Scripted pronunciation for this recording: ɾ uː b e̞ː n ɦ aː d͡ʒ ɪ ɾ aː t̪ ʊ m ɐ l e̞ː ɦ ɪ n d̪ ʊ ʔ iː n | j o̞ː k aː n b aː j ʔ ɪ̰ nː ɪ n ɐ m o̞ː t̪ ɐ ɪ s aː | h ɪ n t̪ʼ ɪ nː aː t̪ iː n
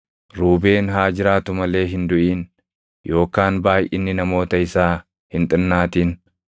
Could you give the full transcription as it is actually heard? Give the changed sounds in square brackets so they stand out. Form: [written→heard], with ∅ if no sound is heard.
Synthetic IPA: ɾ uː b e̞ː n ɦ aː d͡ʒ ɪ ɾ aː t̪ ʊ m ɐ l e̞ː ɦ ɪ n d̪ ʊ ʔ iː n | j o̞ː k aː n b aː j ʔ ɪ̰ nː ɪ n ɐ m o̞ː t̪ ɐ ɪ s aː | h ɪ n t̪ʼ ɪ nː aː t̪ iː n